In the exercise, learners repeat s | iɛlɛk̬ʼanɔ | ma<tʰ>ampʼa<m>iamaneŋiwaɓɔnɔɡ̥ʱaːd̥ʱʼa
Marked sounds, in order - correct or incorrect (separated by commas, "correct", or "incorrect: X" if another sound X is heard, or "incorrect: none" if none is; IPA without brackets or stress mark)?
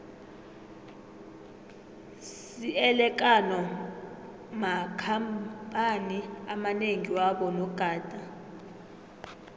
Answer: incorrect: kʰ, incorrect: n